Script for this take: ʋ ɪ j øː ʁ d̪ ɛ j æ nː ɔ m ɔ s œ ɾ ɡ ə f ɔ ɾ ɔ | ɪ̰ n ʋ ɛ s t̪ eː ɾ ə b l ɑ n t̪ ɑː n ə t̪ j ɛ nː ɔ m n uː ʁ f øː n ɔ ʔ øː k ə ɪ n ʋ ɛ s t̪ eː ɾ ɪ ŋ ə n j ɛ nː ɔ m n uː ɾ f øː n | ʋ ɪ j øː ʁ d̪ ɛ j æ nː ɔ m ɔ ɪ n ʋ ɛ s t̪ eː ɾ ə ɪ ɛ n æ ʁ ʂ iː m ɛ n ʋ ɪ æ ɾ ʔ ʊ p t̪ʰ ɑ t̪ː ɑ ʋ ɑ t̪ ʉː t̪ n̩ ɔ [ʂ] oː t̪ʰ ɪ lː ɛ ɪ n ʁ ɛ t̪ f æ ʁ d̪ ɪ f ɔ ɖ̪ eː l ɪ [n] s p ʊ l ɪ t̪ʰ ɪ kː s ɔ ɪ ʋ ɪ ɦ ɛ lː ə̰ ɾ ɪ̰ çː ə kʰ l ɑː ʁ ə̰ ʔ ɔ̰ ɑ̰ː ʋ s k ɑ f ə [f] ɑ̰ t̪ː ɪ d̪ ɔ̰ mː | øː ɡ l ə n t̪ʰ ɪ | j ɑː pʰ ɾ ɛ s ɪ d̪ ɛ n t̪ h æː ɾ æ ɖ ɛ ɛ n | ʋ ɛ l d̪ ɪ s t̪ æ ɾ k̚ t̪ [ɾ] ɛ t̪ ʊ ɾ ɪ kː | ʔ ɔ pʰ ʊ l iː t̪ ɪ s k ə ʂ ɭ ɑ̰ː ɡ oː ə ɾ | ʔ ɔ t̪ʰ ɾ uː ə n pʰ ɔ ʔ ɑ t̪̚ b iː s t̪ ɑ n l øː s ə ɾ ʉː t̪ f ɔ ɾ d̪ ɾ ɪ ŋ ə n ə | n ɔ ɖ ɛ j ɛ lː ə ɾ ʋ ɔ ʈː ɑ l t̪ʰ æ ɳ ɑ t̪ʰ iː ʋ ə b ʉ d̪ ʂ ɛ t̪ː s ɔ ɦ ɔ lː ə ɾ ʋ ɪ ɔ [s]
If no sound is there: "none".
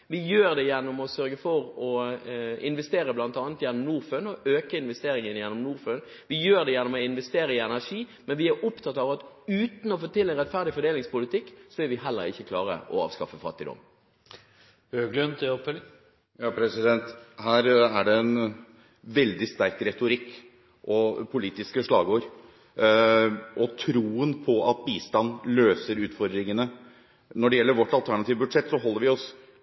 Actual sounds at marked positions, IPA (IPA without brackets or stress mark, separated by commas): f, ŋ, f, ɾ, s